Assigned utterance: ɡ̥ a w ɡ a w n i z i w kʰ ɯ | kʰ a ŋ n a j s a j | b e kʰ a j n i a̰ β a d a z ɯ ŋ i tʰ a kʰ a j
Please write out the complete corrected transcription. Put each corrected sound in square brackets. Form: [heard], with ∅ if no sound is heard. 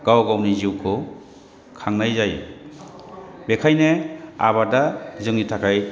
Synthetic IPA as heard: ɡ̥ a w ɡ a w n i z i w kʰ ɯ | kʰ a ŋ n a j [z] a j | b e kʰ a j n [e] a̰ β a d a z ɯ ŋ i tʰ a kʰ a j

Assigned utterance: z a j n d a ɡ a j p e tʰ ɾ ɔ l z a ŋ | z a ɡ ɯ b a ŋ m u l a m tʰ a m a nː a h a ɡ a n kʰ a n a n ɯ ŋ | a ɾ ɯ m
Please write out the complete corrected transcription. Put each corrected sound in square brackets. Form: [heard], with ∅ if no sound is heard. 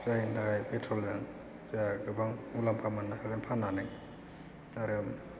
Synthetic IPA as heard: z a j n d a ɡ a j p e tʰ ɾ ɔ l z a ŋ | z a ɡ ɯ b a ŋ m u l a m [pʰ] a m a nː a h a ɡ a n [pʰ] a n a n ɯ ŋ | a ɾ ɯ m

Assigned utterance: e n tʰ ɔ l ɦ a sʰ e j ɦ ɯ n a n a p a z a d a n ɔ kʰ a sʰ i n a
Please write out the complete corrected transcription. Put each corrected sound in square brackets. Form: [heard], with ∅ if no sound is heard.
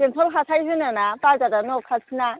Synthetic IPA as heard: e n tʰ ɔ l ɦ a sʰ [a] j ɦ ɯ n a n a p a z a d a n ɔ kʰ a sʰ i n a

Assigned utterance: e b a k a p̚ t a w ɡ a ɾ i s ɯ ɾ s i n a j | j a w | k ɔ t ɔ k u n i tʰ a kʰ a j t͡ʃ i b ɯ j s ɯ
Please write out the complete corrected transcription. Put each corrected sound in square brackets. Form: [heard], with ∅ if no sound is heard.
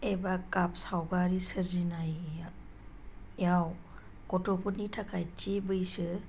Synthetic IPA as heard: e b a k a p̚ [s] a w ɡ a ɾ i s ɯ ɾ [z] i n a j | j a w | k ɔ t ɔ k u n i tʰ a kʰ a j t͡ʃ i b ɯ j s ɯ

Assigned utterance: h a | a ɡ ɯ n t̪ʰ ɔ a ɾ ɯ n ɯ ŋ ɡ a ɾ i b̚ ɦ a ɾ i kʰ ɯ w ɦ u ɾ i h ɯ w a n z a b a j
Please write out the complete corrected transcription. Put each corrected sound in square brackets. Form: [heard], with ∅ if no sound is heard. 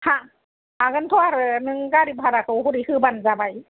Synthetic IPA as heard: h a | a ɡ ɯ n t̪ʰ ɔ a ɾ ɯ n ɯ ŋ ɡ a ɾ i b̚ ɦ a ɾ [a] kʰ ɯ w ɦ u ɾ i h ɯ [b] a n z a b a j

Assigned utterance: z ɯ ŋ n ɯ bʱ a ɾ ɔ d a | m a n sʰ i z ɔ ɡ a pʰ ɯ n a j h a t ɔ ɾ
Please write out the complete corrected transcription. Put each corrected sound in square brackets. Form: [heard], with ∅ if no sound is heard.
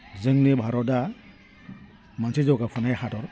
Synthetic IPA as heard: z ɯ ŋ n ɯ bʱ a ɾ ɔ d a | m a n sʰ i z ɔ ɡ a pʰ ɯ n a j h a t ɔ ɾ

